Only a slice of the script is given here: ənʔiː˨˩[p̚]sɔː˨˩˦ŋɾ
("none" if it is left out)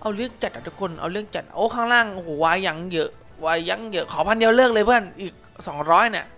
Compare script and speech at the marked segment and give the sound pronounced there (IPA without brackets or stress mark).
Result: k̚